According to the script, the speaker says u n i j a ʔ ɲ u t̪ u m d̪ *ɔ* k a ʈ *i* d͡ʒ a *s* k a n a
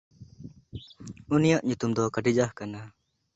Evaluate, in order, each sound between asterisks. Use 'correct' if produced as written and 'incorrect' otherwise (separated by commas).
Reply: correct, correct, incorrect